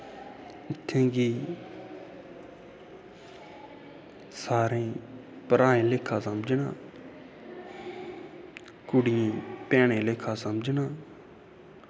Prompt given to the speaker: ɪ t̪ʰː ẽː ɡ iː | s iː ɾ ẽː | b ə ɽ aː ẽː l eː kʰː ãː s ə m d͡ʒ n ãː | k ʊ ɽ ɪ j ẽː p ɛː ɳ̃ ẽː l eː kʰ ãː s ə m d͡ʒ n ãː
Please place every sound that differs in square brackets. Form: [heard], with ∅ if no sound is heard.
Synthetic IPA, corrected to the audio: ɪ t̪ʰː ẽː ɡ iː | s [aː] ɾ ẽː | [p] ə [ɾ] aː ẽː l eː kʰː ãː s ə m d͡ʒ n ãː | k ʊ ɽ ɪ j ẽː p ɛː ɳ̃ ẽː l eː kʰ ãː s ə m d͡ʒ n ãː